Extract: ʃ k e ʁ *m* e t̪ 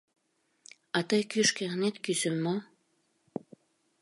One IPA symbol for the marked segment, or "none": n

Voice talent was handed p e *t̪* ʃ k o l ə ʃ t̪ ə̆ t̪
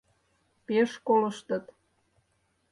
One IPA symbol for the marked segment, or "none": none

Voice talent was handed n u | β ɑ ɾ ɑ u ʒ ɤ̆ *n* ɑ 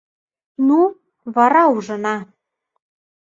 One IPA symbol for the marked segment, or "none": n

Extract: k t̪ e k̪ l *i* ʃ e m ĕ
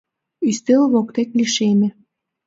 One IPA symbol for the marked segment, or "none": i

